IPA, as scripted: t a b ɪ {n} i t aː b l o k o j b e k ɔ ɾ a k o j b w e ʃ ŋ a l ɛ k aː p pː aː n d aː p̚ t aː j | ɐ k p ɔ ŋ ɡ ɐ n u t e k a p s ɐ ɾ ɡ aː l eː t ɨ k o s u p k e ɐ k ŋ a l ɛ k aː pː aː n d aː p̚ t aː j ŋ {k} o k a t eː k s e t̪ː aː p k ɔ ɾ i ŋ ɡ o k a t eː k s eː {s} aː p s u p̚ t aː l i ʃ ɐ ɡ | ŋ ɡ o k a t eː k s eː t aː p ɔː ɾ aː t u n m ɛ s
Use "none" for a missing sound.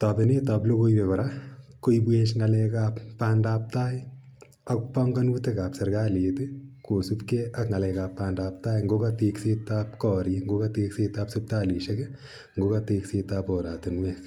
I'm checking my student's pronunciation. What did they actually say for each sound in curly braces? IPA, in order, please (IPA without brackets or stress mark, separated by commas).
n, ɡ, t